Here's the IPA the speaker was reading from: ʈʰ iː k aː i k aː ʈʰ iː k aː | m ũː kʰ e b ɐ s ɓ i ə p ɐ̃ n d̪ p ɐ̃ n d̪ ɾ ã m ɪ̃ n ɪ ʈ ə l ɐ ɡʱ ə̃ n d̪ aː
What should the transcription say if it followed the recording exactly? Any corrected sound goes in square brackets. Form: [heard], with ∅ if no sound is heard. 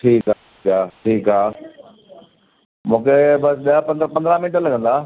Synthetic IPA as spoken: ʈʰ iː k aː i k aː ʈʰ iː k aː | m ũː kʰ e b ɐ s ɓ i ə p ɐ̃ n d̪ p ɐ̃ n d̪ ɾ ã m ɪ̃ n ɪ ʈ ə l ɐ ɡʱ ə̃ n d̪ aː